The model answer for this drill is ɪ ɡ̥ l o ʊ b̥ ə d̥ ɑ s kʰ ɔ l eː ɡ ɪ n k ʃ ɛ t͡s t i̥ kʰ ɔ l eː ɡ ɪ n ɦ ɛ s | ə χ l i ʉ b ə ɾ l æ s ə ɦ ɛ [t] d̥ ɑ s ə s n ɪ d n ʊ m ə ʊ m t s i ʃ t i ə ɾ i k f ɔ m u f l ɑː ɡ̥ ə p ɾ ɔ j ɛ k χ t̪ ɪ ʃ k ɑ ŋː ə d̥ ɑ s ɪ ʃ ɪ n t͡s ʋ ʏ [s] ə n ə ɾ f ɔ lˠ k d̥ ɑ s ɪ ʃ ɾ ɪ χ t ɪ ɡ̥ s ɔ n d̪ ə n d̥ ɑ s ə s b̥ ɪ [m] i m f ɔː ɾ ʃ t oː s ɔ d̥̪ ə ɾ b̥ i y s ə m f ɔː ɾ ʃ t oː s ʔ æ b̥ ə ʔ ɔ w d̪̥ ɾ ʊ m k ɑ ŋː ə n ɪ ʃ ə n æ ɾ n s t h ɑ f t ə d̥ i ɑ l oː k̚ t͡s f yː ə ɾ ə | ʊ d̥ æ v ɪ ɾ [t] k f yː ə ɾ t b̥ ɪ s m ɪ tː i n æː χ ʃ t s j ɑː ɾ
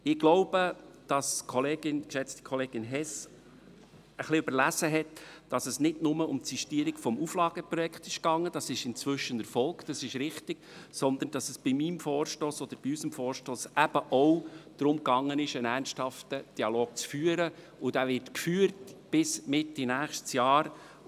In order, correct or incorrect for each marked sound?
correct, incorrect, correct, correct

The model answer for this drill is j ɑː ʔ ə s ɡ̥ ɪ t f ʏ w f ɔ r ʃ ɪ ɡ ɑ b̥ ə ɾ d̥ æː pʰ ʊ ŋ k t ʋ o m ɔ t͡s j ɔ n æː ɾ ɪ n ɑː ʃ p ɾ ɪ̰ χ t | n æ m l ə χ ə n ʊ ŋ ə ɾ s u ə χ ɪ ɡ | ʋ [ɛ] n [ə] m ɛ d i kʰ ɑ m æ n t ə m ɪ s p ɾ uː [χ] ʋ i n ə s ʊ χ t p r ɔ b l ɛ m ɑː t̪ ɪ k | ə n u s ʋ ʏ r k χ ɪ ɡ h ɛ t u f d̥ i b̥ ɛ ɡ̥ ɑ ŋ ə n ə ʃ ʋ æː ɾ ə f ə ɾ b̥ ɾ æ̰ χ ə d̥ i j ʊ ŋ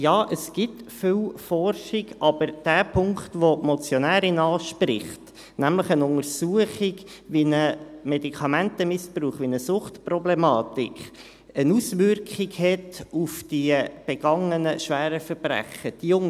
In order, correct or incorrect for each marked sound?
incorrect, correct, correct

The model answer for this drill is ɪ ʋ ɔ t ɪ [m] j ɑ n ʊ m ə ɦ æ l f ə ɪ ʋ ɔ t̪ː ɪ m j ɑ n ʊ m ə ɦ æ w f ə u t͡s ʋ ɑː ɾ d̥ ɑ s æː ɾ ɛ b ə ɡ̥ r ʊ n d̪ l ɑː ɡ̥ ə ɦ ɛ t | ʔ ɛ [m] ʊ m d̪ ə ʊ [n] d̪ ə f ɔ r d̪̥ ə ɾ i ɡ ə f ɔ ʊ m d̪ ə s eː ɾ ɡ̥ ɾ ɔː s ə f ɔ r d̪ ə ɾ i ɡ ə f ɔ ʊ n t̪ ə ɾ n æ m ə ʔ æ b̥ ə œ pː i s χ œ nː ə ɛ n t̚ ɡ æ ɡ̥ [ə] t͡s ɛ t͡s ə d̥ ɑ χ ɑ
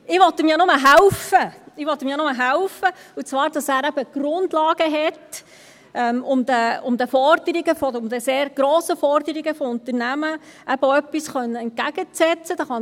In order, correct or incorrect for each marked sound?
correct, correct, incorrect, correct

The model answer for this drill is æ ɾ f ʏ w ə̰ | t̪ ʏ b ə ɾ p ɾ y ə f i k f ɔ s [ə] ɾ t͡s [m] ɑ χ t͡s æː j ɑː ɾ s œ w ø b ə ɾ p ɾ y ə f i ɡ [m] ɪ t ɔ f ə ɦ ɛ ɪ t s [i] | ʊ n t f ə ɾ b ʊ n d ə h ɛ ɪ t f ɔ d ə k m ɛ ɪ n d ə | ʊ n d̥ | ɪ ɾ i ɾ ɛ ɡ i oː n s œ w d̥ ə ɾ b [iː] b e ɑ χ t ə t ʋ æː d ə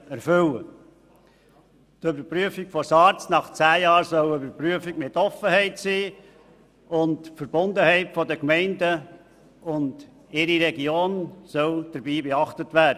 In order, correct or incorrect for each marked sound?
incorrect, incorrect, correct, incorrect, correct

